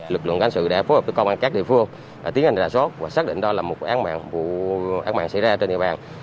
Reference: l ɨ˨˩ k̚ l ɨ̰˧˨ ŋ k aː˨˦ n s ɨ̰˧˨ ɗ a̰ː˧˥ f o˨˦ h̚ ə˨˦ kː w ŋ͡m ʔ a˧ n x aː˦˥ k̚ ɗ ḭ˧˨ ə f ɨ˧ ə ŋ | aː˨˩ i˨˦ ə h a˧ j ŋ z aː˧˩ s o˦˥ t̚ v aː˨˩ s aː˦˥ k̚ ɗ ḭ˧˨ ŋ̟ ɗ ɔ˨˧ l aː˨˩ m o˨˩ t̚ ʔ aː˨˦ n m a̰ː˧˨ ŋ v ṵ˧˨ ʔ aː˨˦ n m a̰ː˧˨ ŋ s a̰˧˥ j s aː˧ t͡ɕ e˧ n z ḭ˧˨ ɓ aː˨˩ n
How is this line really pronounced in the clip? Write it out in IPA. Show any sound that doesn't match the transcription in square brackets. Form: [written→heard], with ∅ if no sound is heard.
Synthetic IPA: l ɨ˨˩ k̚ l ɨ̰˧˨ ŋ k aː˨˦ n s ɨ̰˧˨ ɗ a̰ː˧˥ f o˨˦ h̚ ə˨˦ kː w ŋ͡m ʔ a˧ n [x→k] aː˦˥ k̚ ɗ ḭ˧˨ ə f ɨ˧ ə ŋ | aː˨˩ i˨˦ ə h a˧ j ŋ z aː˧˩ s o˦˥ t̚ v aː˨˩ s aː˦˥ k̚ ɗ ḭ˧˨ ŋ̟ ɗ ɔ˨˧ l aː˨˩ m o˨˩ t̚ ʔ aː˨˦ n m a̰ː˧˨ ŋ v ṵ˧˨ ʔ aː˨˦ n m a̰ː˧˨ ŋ s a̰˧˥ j [s→z] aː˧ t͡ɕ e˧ n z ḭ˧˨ ɓ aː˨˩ n